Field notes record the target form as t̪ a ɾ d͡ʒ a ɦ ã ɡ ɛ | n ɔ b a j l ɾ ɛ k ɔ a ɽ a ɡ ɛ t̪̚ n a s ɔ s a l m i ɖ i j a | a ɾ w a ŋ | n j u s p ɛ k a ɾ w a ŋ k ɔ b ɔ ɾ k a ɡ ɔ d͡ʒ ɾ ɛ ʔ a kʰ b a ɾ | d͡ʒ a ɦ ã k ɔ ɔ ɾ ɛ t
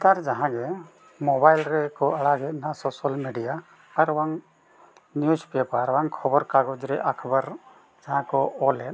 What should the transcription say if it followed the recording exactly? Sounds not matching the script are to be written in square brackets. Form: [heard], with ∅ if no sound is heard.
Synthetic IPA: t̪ a ɾ d͡ʒ a ɦ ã ɡ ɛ | [m] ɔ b a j l ɾ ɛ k ɔ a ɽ a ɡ ɛ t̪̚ n a s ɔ s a l m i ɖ i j a | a ɾ w a ŋ | n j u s p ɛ [p] a ɾ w a ŋ [kʰ] ɔ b ɔ ɾ k a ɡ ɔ d͡ʒ ɾ ɛ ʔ a kʰ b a ɾ | d͡ʒ a ɦ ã k ɔ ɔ [l] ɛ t

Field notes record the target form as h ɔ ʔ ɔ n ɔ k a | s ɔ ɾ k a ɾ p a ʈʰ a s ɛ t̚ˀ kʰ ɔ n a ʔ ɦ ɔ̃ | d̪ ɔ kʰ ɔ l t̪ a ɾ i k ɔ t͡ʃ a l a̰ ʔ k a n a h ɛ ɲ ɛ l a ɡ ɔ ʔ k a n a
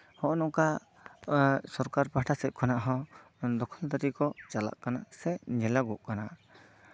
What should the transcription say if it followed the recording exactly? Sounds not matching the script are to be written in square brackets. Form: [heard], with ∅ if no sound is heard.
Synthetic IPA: h ɔ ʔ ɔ n ɔ k a | s ɔ ɾ k a ɾ p a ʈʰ a s ɛ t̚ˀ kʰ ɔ n a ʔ ɦ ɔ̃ | d̪ ɔ kʰ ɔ l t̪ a ɾ i k ɔ t͡ʃ a l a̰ ʔ k a n a [s] ɛ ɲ ɛ l a ɡ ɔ ʔ k a n a

